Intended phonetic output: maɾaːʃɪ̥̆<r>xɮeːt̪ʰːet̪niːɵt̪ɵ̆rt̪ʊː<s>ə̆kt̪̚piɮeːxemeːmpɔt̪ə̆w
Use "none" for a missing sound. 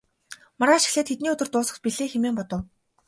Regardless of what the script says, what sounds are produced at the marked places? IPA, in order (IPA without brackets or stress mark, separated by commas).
none, s